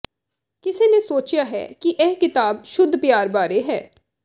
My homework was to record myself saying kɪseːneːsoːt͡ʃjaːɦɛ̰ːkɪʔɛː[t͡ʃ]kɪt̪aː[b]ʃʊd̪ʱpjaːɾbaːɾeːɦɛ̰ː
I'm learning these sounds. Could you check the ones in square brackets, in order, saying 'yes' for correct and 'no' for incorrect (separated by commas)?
no, yes